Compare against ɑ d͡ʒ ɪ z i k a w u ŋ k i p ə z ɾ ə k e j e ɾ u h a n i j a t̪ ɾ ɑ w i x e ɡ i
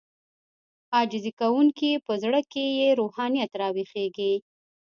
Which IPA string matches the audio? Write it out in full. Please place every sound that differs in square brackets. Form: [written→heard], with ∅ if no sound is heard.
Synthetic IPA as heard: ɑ d͡ʒ ɪ z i k a w u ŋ k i p ə z [ɾ→ɽ] ə k e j e ɾ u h [a→ɑ] n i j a t̪ ɾ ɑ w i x e ɡ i